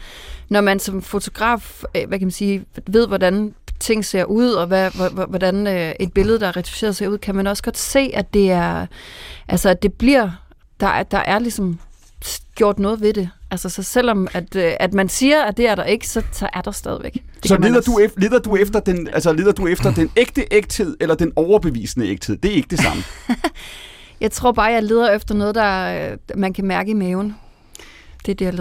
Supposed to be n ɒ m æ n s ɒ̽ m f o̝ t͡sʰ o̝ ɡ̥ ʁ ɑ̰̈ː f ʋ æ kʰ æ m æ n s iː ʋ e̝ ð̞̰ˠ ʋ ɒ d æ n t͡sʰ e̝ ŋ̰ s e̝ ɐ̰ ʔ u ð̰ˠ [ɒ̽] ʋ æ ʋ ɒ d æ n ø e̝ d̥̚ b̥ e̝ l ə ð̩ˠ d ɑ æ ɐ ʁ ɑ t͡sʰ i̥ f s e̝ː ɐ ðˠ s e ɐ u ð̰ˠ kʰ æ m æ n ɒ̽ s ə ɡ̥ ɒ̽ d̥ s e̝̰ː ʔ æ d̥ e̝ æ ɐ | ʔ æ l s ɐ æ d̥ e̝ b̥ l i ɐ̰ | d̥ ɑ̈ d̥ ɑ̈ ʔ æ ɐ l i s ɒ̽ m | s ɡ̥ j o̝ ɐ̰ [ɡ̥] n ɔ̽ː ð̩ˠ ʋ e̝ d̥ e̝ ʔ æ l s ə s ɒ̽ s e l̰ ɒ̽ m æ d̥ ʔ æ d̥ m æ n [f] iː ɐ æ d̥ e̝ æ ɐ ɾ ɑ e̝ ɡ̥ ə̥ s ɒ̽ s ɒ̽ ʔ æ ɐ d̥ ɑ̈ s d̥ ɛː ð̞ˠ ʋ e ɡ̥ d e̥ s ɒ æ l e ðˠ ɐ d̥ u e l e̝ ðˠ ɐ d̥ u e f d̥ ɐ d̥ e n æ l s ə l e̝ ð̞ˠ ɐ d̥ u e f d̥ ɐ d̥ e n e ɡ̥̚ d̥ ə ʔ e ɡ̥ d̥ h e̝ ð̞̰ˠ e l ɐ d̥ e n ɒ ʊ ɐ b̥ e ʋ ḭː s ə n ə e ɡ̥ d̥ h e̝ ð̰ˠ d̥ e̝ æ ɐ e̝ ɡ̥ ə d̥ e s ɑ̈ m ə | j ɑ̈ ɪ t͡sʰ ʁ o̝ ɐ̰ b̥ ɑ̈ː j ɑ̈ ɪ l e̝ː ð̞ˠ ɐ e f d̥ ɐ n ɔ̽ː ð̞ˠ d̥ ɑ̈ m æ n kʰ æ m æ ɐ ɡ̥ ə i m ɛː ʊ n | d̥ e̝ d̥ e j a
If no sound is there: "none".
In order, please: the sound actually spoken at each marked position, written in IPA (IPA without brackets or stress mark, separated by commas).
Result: ɒ̽, d̥, s